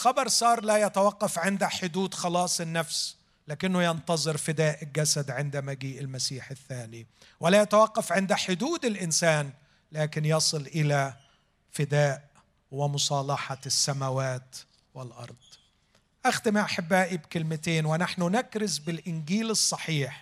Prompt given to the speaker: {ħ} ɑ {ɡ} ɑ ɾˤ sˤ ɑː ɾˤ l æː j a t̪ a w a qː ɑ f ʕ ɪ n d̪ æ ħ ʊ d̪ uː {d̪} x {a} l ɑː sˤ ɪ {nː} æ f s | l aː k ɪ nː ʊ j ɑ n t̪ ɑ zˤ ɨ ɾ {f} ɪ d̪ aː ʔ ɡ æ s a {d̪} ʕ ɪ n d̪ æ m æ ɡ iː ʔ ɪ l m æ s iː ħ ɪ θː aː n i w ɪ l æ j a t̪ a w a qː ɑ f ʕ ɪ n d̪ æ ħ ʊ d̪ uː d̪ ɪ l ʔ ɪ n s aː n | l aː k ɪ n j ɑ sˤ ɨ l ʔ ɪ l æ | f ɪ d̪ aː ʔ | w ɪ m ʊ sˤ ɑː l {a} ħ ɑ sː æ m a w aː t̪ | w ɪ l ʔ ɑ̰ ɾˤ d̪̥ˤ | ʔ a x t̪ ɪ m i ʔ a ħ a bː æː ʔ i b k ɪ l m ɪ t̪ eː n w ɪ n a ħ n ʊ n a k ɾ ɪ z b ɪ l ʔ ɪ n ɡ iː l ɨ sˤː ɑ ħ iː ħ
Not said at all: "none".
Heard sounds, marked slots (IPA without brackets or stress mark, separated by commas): x, b, d̪, ɑ, nː, f, d̪, ɑ